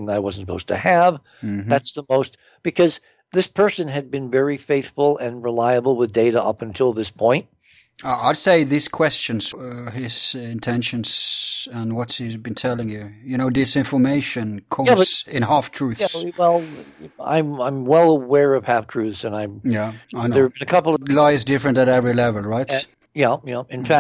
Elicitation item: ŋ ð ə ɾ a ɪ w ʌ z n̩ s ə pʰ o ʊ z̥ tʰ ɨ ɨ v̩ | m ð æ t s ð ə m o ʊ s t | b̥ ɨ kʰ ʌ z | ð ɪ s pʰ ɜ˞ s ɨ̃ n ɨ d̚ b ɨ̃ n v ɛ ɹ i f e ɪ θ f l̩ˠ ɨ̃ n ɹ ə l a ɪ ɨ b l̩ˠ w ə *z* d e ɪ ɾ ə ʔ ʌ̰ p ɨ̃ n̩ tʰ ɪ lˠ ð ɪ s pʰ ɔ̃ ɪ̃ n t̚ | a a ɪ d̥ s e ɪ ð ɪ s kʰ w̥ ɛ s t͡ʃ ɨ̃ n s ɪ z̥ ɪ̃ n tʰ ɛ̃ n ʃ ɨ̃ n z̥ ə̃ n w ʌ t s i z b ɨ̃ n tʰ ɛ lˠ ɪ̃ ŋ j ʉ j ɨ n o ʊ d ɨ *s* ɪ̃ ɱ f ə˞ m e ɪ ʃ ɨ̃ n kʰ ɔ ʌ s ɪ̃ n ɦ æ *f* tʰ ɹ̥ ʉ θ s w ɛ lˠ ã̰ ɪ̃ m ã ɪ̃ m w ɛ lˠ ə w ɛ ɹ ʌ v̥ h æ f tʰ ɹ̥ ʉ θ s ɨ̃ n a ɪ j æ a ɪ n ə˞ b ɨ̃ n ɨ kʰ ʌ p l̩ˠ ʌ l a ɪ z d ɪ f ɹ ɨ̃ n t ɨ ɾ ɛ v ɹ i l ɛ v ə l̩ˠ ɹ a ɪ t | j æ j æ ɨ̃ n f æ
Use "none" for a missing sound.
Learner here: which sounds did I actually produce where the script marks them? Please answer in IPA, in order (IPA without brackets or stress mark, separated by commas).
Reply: ð, s, f